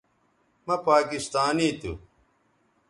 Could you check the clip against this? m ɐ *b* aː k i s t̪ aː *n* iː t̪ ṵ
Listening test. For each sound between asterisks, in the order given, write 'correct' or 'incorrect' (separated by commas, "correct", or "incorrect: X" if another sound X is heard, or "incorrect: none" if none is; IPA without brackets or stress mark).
incorrect: p, correct